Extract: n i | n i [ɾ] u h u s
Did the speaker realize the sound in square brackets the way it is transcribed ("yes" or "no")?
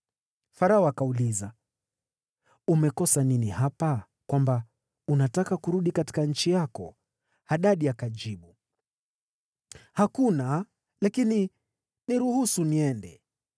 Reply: yes